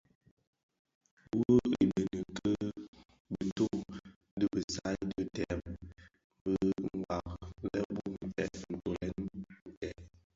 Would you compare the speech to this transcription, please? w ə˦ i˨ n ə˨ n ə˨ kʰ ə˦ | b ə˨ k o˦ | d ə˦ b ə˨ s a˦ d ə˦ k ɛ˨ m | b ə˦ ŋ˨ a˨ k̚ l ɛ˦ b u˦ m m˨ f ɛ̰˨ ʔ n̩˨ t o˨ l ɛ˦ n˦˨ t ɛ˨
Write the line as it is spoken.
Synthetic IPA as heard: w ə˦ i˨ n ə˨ n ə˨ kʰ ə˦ | b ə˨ t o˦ | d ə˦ b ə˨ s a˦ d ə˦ t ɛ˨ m | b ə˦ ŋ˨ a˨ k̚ l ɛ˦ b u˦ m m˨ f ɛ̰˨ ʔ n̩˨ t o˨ l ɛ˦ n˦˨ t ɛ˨